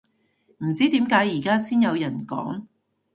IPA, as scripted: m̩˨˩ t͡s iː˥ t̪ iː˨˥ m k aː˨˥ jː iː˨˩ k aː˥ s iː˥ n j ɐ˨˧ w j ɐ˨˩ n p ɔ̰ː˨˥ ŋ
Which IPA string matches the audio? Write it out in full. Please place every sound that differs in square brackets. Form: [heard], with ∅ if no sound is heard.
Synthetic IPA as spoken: m̩˨˩ t͡s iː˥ t̪ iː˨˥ m k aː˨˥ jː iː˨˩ k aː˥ s iː˥ n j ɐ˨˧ w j ɐ˨˩ n [k] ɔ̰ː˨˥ ŋ